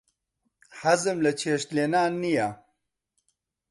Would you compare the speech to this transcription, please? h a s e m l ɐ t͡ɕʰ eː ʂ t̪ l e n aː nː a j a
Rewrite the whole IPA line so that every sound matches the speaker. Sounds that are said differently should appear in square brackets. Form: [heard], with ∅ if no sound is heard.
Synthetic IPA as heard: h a [z] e m l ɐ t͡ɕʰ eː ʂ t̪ l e n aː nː [i] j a